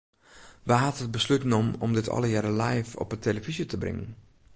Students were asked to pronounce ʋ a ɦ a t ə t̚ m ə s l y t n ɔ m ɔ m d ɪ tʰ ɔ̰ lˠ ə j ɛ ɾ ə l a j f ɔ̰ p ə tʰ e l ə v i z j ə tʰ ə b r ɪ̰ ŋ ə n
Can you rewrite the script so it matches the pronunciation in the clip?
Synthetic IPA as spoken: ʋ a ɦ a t ə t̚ b ə s l y t n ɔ m ɔ m d ɪ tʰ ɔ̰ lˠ ə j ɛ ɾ ə l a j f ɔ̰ p ə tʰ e l ə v i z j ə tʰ ə b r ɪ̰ ŋ ə n